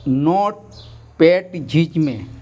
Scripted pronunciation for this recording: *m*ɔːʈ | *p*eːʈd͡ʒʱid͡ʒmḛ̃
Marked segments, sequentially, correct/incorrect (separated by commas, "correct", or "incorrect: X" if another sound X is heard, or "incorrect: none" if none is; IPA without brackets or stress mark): incorrect: n, correct